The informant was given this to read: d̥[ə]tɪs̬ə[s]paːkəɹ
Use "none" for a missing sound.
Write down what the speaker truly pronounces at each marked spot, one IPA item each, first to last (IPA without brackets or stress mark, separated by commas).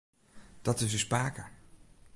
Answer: ɑ, s